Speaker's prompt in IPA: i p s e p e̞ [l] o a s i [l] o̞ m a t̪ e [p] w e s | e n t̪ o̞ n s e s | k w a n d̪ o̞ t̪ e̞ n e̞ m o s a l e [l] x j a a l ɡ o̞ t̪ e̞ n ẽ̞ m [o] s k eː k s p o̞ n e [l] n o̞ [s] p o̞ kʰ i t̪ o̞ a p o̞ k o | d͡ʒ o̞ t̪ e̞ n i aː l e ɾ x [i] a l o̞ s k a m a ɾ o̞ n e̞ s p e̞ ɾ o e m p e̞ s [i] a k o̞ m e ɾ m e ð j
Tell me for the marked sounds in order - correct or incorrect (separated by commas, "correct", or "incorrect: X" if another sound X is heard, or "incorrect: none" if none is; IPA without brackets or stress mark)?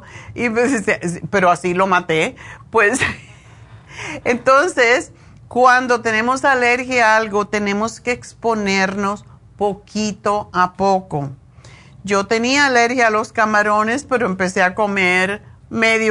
incorrect: ɾ, correct, correct, incorrect: ɾ, correct, incorrect: ɾ, correct, incorrect: j, incorrect: e